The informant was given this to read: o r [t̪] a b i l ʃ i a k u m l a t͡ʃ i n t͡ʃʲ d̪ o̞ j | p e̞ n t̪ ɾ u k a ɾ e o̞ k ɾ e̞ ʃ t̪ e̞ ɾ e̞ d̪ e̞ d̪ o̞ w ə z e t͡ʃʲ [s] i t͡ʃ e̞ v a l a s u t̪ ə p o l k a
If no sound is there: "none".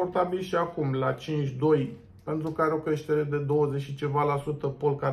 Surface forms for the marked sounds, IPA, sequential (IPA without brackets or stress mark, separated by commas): t̪, ʃ